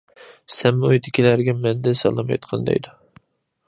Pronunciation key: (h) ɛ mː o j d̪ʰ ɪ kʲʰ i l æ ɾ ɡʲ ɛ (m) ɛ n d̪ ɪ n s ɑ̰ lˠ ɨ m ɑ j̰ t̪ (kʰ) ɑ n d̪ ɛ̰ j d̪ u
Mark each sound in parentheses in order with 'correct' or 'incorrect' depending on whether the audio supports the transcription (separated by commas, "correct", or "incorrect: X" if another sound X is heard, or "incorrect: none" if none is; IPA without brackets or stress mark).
incorrect: s, correct, incorrect: qʰ